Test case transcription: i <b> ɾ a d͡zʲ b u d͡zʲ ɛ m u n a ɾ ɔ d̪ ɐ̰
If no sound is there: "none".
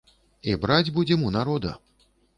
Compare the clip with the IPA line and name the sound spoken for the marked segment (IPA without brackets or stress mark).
b